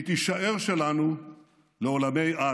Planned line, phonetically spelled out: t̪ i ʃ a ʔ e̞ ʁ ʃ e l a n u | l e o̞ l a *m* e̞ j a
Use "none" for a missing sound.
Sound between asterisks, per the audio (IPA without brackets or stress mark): m